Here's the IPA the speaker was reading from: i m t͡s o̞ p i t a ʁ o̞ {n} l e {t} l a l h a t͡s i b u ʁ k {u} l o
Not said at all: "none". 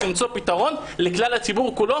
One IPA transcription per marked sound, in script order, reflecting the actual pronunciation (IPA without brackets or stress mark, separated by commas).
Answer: n, k, u